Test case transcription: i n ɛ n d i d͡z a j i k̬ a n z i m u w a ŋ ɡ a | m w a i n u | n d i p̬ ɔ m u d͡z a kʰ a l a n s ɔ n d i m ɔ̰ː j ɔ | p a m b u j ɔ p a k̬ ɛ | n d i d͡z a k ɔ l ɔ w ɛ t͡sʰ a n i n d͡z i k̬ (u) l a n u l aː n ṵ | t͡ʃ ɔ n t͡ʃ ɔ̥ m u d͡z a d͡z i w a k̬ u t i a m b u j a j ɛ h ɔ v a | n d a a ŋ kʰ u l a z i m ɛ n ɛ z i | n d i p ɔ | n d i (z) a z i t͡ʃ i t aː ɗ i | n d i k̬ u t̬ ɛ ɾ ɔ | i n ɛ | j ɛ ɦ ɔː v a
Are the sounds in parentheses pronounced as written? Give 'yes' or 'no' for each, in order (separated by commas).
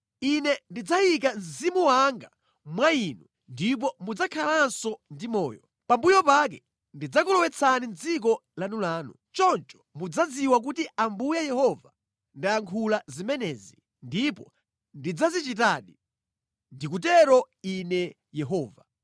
no, no